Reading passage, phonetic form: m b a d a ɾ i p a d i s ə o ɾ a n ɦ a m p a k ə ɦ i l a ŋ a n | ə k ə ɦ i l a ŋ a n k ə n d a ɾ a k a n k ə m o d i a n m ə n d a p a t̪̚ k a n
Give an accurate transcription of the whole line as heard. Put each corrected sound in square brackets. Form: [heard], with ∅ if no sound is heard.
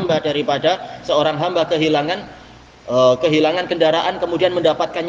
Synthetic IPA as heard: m b a d a ɾ i p a d [a] s ə o ɾ a [ŋ] ɦ a m [b] a k ə ɦ i l a ŋ a n | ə k ə ɦ i l a ŋ a n k ə n d a ɾ a [ʔ] a n k ə m [u] d i a n m ə n d a p a t̪̚ k a n